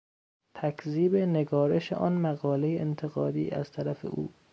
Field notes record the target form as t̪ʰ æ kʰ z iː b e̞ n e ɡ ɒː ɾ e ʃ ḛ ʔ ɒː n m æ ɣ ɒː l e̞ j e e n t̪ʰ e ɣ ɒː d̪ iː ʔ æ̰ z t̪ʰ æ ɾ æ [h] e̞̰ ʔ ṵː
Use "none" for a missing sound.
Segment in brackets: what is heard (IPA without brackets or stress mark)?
f